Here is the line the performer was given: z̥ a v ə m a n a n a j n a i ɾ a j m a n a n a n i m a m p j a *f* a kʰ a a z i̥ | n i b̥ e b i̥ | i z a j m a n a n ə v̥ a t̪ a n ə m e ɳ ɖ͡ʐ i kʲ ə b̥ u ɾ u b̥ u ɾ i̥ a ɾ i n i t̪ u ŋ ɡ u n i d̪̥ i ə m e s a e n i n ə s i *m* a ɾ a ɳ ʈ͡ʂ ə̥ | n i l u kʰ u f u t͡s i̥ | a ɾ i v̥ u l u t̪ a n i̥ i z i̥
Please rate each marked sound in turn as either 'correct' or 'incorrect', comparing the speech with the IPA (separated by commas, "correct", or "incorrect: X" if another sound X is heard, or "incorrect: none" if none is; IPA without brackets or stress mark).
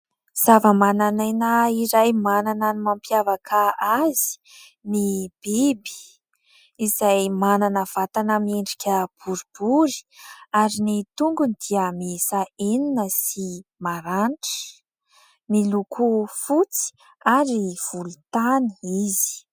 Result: incorrect: v, correct